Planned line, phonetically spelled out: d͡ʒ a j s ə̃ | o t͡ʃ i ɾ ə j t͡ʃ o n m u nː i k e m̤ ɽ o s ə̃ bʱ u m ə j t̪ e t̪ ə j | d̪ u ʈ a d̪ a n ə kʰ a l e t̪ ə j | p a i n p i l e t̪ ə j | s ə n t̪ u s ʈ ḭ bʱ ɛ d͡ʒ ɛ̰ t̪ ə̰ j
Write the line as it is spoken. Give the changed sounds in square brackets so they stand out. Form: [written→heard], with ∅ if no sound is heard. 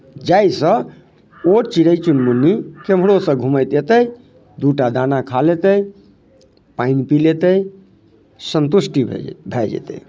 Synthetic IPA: d͡ʒ a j s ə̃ | o t͡ʃ i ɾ ə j t͡ʃ [o→u] n m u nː i k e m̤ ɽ o s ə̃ [bʱ→ɡʱ] u m ə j t̪ e t̪ ə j | d̪ u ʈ a d̪ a n [ə→a] kʰ a l e t̪ ə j | p a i n p i l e t̪ ə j | s ə n t̪ u s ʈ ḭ bʱ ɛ d͡ʒ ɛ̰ t̪ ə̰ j

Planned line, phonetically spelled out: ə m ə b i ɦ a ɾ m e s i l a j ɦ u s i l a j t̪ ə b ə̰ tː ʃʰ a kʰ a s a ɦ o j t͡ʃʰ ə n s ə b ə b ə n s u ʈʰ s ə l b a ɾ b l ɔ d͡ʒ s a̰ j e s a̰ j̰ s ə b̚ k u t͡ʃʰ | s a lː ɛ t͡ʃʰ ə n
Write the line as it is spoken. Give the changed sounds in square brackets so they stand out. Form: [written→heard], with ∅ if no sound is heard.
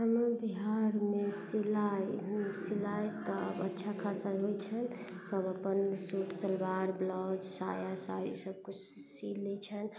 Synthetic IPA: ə m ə b i ɦ a ɾ m e s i l a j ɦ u s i l a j t̪ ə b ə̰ tː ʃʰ a kʰ a s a ɦ o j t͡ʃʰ ə n s ə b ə [b→p] ə n s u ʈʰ s ə l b a ɾ b l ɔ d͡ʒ s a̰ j [e→a] s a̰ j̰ s ə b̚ k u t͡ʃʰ | s [a→i] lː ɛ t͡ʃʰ ə n

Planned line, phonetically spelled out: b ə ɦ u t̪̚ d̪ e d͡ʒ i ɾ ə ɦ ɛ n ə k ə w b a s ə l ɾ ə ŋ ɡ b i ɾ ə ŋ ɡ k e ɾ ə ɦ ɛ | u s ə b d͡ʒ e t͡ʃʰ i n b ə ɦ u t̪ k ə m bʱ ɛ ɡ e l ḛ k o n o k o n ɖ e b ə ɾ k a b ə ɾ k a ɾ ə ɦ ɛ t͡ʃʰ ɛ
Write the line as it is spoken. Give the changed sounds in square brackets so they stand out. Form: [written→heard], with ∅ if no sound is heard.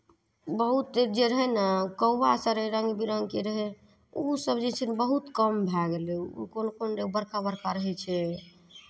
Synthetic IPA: b ə ɦ u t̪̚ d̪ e d͡ʒ [i→e] ɾ ə ɦ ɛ n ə k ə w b a s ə [l→ɾ] ɾ ə ŋ ɡ b i ɾ ə ŋ ɡ k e ɾ ə ɦ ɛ | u s ə b d͡ʒ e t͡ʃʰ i n b ə ɦ u t̪ k ə m bʱ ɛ ɡ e l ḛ k o n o k o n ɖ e b ə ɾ k a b ə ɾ k a ɾ ə ɦ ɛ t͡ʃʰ ɛ

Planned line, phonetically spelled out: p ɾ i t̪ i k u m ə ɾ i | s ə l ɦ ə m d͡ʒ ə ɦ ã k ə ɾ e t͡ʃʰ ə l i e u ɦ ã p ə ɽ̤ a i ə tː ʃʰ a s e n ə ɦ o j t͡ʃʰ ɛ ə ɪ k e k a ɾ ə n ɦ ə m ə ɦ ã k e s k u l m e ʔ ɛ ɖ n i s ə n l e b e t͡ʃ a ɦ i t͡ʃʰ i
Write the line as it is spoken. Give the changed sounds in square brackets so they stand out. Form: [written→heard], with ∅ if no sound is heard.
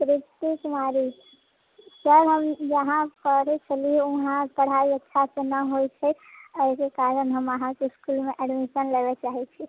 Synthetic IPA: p ɾ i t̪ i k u m [ə→a] ɾ i | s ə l ɦ ə m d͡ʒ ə ɦ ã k ə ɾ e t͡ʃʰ ə l i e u ɦ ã p ə ɽ̤ a i ə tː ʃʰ a s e n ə ɦ o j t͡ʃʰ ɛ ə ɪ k e k a ɾ ə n ɦ ə m ə ɦ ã k e s k u l m e ʔ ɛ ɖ [n→m] i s ə n l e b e t͡ʃ a ɦ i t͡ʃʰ i

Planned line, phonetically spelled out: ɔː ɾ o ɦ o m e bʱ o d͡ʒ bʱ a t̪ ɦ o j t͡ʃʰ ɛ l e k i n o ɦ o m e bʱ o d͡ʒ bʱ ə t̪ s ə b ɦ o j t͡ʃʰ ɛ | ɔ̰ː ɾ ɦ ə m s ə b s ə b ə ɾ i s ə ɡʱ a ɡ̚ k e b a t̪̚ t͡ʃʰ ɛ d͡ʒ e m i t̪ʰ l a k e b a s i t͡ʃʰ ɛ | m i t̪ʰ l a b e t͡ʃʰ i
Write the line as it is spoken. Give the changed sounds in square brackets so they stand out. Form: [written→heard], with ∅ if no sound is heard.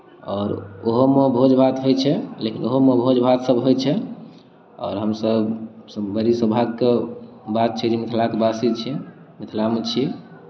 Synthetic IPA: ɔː ɾ o ɦ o m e bʱ o d͡ʒ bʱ a t̪ ɦ o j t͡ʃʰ ɛ l e k i n o ɦ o m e bʱ o d͡ʒ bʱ [ə→a] t̪ s ə b ɦ o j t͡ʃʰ ɛ | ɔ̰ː ɾ ɦ ə m s ə b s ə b ə ɾ i s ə [ɡʱ→bʱ] a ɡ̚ k e b a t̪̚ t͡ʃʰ ɛ d͡ʒ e m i t̪ʰ l a k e b a s i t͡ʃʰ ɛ | m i t̪ʰ l a [b→m] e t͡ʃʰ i

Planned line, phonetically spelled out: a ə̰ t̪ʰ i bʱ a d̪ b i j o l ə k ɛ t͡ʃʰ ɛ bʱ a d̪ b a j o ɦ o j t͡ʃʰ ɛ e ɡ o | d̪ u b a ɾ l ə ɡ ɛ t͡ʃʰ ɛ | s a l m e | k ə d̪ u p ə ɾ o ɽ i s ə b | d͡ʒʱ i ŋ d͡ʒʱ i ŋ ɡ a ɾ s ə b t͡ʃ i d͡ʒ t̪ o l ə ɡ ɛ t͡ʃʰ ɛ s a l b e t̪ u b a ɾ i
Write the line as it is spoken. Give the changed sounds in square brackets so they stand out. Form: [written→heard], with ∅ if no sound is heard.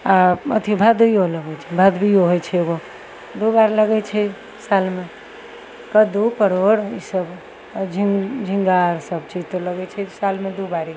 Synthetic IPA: a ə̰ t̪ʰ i bʱ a d̪ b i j o l ə [k→ɡ] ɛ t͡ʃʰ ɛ bʱ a d̪ b [a→i] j o ɦ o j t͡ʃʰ ɛ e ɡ o | d̪ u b a ɾ l ə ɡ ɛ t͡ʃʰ ɛ | s a l m e | k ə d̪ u p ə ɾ o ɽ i s ə b | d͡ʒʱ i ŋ d͡ʒʱ i ŋ ɡ a ɾ s ə b t͡ʃ i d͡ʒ t̪ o l ə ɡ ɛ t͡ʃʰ ɛ s a l [b→m] e [t̪→d̪] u b a ɾ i

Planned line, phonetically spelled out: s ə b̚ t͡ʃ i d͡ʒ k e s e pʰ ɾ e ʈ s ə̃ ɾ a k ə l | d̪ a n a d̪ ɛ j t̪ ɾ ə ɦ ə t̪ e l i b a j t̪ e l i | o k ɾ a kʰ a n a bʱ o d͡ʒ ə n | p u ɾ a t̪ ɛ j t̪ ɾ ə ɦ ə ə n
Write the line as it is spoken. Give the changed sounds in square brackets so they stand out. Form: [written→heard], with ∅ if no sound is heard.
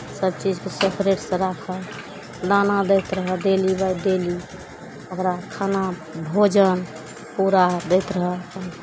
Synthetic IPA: s ə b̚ t͡ʃ i d͡ʒ k e s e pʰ ɾ e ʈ s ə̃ ɾ a [k→kʰ] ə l | d̪ a n a d̪ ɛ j t̪ ɾ ə ɦ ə [t̪→d̪] e l i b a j [t̪→d̪] e l i | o k ɾ a kʰ a n a bʱ o d͡ʒ ə n | p u ɾ a [t̪→d̪] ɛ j t̪ ɾ ə ɦ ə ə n

